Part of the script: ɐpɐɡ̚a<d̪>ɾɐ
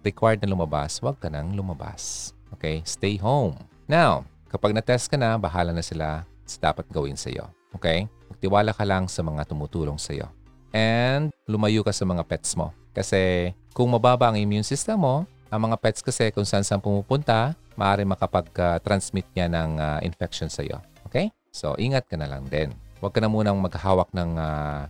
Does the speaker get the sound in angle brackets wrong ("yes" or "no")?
yes